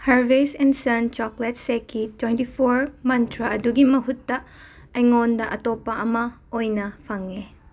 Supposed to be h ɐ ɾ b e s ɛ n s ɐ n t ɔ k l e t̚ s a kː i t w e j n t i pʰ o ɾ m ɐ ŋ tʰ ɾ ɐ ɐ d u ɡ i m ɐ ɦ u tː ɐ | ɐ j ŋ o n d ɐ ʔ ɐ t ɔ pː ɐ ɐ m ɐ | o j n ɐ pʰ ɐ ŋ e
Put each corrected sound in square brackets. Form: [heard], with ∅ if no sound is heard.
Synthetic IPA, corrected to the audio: h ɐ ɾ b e s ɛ n s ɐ n [t͡ʃ] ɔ k l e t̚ s [e] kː i t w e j n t i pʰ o ɾ m ɐ [n] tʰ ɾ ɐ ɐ d u ɡ i m ɐ ɦ u tː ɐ | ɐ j ŋ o n d ɐ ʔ ɐ t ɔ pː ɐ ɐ m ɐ | o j n ɐ pʰ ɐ ŋ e